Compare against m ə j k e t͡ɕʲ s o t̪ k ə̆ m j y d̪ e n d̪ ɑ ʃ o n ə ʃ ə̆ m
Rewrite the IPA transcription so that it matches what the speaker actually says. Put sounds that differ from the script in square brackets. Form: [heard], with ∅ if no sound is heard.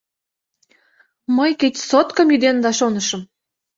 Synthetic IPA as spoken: m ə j k e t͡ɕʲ s o t̪ k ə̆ m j y d̪ e n d̪ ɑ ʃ o n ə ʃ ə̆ m